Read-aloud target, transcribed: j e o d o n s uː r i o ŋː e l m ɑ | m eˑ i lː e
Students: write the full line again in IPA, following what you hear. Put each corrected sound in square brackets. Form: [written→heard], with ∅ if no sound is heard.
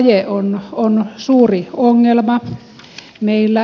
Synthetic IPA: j e o [d→n] o n s uː r i o ŋː e l m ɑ | m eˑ i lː [e→æ]